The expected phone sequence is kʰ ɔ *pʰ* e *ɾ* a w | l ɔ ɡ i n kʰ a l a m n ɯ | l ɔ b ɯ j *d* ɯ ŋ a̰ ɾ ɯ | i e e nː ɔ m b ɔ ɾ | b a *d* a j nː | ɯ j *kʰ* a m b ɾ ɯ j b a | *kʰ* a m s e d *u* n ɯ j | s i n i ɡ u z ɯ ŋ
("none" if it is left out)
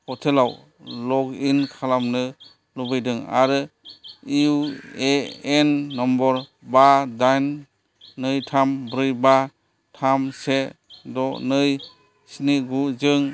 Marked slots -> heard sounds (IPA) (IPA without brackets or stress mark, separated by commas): tʰ, l, d, d, tʰ, tʰ, ɔ